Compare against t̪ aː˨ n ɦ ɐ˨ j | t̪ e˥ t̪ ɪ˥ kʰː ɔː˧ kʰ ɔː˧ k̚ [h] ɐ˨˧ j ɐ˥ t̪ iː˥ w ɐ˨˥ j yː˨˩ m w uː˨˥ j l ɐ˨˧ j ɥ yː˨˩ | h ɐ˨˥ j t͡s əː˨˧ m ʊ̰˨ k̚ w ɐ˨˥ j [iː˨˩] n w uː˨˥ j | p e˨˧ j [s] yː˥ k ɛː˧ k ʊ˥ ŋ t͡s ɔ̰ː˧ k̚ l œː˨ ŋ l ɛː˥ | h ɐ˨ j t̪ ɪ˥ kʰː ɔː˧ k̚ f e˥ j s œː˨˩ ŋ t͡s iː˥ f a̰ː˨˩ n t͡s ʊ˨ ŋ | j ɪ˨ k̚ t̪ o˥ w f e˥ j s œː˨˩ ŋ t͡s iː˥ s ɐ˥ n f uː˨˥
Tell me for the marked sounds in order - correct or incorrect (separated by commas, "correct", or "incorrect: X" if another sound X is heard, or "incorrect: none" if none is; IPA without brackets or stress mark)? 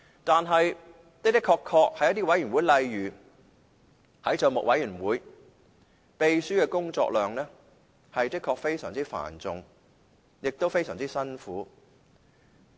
correct, incorrect: yː˨˩, correct